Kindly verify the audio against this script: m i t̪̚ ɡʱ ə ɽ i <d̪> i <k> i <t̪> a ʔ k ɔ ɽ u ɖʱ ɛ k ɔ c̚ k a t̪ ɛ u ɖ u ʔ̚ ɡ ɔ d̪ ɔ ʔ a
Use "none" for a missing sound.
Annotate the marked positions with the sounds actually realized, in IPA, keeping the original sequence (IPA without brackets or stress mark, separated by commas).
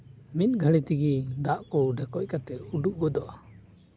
t̪, ɡ, d̪